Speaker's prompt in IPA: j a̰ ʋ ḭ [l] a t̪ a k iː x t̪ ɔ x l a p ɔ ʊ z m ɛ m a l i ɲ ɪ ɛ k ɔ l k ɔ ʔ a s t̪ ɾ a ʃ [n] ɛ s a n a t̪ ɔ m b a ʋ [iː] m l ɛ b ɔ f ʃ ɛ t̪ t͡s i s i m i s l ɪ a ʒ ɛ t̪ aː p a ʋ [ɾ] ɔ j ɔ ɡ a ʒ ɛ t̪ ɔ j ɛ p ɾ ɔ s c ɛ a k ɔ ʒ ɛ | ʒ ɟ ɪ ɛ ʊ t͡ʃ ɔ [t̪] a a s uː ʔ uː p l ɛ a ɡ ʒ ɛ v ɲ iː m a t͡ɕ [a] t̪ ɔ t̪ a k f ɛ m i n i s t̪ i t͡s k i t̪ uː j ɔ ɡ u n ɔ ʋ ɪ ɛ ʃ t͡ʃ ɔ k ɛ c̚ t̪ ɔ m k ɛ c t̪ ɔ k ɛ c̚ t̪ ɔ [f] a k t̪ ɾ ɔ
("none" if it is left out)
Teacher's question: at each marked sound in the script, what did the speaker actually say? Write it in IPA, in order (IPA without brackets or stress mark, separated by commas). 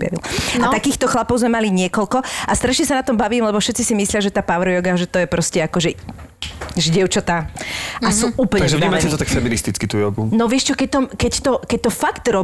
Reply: l, ɲ, iː, ɾ, t̪, ɛ, f